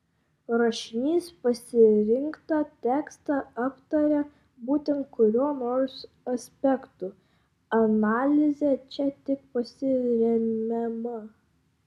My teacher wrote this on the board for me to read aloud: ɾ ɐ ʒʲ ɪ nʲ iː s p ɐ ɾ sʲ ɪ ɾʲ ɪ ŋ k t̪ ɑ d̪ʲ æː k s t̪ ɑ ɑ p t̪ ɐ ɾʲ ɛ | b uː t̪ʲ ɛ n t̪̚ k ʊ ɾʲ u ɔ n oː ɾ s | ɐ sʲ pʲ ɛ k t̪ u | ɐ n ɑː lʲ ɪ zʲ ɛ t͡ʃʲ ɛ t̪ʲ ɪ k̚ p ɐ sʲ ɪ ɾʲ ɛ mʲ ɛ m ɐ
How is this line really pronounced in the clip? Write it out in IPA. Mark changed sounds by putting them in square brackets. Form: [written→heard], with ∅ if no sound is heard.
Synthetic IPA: ɾ ɐ [ʒʲ→ʃʲ] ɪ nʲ iː s p ɐ [ɾ→∅] sʲ ɪ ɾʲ ɪ ŋ k t̪ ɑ [d̪ʲ→t̪ʲ] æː k s t̪ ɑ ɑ p t̪ ɐ ɾʲ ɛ | b uː t̪ʲ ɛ n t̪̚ k ʊ ɾʲ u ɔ n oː ɾ s | ɐ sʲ pʲ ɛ k t̪ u | ɐ n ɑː lʲ ɪ zʲ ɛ t͡ʃʲ ɛ t̪ʲ ɪ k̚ p ɐ sʲ ɪ ɾʲ ɛ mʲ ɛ m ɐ